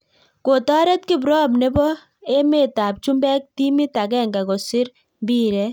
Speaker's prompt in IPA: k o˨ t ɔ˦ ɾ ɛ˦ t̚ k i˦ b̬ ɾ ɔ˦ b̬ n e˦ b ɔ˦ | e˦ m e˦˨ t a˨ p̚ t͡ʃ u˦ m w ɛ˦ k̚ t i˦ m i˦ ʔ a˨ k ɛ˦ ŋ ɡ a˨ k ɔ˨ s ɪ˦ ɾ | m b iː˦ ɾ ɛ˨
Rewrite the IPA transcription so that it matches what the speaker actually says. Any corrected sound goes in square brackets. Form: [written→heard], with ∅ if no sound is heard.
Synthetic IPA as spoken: k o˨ t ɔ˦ ɾ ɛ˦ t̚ k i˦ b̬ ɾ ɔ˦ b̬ n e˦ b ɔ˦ | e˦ m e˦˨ t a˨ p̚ t͡ʃ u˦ m [w→b] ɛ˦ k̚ t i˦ m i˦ [ʔ→t] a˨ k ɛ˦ ŋ ɡ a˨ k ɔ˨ s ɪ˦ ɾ | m b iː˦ ɾ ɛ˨